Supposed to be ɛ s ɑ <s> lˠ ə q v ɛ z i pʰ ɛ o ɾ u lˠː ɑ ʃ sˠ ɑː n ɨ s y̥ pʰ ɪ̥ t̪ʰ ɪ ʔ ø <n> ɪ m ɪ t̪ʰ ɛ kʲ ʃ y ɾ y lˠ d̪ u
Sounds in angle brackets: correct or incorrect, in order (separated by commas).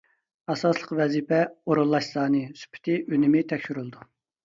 correct, correct